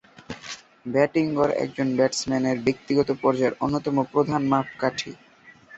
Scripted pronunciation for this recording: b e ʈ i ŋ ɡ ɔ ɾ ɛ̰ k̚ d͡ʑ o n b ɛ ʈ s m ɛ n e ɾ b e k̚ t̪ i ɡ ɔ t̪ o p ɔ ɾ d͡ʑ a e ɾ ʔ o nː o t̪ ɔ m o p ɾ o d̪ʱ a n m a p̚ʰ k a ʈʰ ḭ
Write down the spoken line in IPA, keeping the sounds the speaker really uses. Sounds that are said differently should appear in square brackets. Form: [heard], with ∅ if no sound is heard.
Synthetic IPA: b [ɛ] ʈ i ŋ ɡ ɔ ɾ ɛ̰ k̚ d͡ʑ o n b ɛ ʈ s m ɛ n e ɾ b e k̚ t̪ i ɡ ɔ t̪ o p ɔ ɾ d͡ʑ a e ɾ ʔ o nː o t̪ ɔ m o p ɾ o d̪ʱ a n m a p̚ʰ k a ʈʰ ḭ